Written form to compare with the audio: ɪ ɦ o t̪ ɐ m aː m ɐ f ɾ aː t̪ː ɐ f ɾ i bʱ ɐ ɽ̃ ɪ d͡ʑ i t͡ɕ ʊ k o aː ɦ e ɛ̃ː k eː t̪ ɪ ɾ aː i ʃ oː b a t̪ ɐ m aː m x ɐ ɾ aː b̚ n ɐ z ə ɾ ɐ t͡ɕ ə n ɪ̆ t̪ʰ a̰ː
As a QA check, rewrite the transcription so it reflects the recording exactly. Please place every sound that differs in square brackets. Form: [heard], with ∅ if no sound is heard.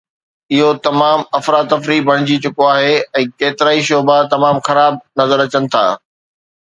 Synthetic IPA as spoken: ɪ ɦ o t̪ ɐ m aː m ɐ f ɾ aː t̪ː ɐ f ɾ i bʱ ɐ ɽ̃ ɪ d͡ʑ i t͡ɕ ʊ k o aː ɦ e ɛ̃ː k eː t̪ ɪ ɾ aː i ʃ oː b a t̪ ɐ m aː m x ɐ ɾ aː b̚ n ɐ z ə ɾ ɐ t͡ɕ ə n ɪ̆ t̪ʰ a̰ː